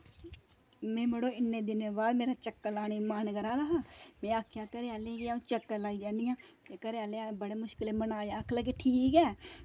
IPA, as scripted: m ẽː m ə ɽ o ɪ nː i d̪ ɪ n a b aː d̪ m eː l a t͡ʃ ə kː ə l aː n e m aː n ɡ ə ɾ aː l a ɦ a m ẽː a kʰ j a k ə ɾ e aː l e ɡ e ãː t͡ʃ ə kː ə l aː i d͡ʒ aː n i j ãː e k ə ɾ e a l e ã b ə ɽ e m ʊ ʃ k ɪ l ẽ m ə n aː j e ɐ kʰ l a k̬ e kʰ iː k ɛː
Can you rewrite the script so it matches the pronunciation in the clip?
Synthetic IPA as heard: m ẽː m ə ɽ o ɪ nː e d̪ ɪ n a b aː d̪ m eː ɾ a t͡ʃ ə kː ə l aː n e m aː n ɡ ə ɾ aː l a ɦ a m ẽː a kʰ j a k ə ɾ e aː l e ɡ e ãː t͡ʃ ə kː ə l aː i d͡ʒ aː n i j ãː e k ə ɾ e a l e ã b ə ɽ e m ʊ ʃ k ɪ l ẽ m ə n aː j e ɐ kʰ l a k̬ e ʈʰ iː k ɛː